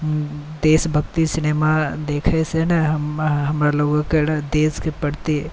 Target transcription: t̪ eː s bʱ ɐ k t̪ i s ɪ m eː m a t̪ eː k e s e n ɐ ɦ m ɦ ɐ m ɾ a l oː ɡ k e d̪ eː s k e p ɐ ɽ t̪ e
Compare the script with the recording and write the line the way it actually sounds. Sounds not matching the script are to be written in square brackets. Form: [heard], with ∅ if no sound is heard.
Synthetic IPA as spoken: [d̪] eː s bʱ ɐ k t̪ i s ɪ [n] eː m a [d̪] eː [kʰ] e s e n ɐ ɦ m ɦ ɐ m ɾ a l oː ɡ k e d̪ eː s k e p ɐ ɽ t̪ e